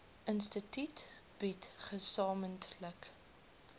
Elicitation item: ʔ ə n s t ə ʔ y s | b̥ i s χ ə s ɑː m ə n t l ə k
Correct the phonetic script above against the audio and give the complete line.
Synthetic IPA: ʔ ə n s t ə t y t | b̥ i t χ ə s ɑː m ə n t l ə k